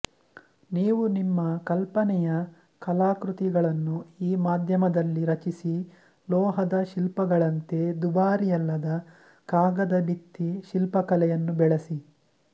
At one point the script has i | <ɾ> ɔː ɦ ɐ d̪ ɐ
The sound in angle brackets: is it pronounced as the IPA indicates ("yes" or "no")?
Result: no